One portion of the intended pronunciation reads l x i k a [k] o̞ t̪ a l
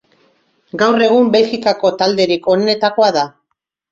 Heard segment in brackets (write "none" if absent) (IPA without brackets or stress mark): k